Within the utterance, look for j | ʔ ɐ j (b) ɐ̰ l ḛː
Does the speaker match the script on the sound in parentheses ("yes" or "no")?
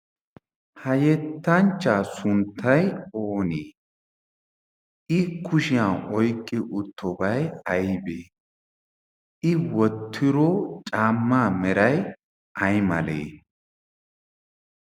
no